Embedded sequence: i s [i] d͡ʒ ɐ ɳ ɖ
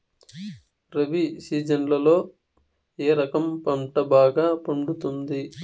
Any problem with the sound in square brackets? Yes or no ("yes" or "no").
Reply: yes